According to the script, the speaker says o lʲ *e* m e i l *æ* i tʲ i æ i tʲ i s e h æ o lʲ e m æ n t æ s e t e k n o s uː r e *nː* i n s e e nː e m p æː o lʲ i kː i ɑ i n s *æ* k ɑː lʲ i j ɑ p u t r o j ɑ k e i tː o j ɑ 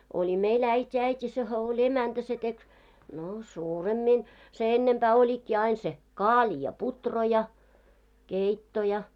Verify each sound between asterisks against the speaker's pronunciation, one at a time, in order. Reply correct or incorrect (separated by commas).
incorrect, correct, incorrect, incorrect